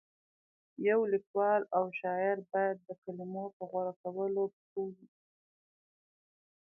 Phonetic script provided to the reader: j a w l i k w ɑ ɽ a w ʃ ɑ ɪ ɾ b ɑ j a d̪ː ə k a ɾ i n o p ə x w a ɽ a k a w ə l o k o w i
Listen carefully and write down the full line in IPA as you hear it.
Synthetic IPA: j a w l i k w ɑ l a w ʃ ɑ ɪ ɾ b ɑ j a d̪ː ə k a l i m o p ə ɣ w a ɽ a k a w ə l o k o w i